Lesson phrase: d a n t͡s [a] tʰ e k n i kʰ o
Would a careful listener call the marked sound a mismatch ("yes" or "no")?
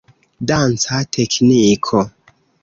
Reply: no